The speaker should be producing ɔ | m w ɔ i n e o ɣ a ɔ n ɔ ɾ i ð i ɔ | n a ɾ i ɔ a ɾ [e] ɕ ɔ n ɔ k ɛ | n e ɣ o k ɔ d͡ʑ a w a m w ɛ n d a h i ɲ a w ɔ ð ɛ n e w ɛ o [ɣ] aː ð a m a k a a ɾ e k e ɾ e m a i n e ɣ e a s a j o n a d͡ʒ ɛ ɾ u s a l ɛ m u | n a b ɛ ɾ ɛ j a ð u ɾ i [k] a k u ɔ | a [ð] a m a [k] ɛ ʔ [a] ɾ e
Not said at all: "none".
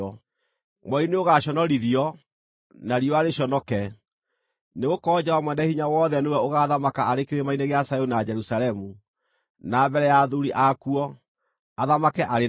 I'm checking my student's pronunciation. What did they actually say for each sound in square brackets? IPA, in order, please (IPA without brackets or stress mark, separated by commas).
e, ɣ, ʔ, ð, k, a